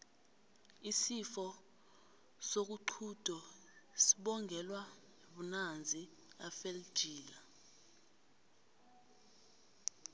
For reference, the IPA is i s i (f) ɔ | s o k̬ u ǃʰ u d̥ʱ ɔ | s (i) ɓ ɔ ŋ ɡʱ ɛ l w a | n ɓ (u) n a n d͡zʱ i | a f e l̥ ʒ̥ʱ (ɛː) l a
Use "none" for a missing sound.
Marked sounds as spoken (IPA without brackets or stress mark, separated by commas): f, i, u, iː